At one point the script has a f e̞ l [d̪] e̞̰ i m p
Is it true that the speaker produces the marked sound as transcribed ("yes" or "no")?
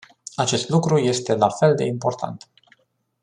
yes